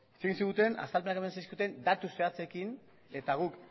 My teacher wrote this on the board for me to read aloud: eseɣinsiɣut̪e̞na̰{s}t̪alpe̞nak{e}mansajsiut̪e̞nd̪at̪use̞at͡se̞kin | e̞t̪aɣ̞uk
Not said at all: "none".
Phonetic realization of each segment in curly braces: s, e

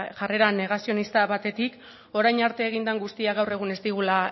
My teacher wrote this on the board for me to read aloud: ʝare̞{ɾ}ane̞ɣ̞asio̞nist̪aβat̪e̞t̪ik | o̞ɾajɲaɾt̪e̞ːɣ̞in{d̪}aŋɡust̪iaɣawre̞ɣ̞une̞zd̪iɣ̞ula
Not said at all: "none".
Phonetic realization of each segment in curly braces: ɾ, d̪

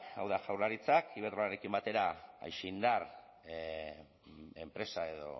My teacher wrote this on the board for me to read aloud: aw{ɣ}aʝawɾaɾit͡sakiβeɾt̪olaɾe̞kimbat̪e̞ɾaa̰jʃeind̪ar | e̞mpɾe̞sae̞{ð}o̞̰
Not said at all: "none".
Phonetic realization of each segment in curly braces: ð, ð

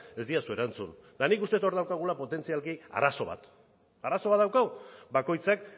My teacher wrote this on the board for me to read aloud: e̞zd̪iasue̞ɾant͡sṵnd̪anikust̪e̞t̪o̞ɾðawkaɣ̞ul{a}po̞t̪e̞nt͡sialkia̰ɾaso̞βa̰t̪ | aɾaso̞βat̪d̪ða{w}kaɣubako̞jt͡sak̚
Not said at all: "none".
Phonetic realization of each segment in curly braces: a, w

